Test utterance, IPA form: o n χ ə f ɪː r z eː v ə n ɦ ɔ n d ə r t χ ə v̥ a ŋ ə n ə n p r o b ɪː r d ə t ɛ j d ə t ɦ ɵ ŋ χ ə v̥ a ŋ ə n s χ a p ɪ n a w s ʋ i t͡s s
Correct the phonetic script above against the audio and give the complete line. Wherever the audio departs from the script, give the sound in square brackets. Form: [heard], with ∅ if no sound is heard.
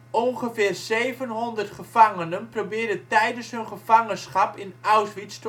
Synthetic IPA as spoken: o n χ ə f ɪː r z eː v ə n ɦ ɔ n d ə r t χ ə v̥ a ŋ ə n ə n p r o b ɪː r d ə t ɛ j d ə [s] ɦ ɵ [n] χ ə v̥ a ŋ ə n s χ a p ɪ n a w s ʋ i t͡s [t]